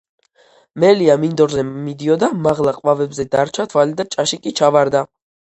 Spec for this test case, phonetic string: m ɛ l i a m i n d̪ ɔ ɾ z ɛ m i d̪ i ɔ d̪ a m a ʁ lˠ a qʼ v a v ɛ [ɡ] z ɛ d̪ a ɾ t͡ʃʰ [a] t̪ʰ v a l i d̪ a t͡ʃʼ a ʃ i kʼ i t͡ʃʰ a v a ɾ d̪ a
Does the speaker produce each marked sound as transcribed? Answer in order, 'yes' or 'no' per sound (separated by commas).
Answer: no, yes